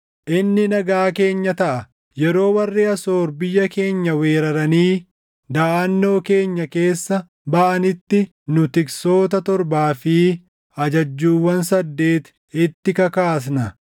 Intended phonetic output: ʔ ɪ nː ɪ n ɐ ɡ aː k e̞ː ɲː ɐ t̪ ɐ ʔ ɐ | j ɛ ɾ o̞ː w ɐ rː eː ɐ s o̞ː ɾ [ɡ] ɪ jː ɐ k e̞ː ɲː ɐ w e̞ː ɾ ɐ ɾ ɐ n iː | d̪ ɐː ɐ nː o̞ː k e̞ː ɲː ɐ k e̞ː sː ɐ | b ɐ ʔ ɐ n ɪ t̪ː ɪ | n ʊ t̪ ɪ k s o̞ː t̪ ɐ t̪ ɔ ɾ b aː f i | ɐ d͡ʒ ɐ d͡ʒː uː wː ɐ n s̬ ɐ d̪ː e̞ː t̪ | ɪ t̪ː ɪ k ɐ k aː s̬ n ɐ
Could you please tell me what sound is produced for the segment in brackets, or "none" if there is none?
b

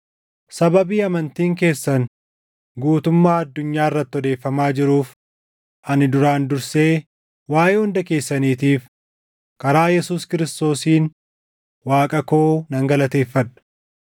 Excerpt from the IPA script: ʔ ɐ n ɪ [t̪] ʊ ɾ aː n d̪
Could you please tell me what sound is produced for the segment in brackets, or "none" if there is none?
d̪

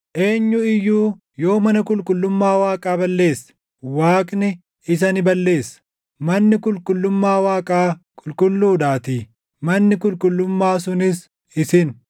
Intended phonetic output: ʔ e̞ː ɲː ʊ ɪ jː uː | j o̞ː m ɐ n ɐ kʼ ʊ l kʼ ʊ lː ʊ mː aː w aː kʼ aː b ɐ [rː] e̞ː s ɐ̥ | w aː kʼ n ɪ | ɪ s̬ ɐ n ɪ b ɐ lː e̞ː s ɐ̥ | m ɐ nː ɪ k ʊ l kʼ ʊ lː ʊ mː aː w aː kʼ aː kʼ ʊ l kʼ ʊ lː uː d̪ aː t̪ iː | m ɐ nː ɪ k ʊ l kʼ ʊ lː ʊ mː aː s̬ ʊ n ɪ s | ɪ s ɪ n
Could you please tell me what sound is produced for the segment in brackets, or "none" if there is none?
lː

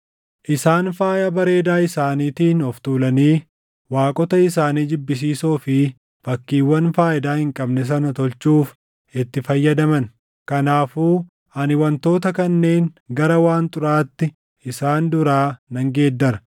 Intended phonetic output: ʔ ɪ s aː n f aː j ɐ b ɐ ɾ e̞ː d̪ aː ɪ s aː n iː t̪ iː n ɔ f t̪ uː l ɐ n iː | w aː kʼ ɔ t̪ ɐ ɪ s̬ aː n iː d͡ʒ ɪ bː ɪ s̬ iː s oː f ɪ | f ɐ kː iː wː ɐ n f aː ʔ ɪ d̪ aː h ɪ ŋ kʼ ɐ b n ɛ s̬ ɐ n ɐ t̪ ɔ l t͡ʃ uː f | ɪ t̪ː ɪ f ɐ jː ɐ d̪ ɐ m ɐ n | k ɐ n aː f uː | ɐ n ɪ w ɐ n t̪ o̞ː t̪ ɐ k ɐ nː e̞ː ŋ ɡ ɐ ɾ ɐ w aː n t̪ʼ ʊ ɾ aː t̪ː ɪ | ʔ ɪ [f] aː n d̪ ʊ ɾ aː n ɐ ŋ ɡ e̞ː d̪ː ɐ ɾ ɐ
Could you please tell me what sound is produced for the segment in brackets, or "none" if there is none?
s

